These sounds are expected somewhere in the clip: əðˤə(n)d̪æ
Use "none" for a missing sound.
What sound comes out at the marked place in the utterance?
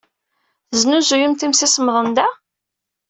n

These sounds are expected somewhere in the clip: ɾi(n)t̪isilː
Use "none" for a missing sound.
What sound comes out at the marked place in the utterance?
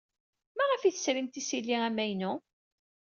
m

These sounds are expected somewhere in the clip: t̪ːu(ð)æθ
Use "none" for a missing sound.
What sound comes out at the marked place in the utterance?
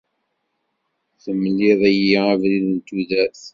ð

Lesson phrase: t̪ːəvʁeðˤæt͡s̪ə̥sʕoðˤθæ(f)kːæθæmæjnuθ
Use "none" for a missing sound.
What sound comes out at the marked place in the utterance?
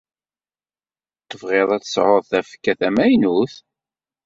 f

